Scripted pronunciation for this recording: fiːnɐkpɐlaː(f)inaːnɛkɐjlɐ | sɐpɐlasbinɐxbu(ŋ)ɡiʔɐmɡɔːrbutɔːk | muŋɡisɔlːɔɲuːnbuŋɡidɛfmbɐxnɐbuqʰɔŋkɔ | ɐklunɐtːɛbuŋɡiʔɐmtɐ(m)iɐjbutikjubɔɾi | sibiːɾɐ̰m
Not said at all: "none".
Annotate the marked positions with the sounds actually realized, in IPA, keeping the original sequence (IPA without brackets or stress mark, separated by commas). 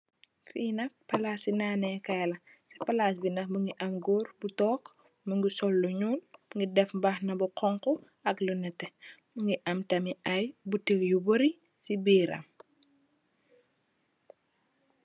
s, ŋ, m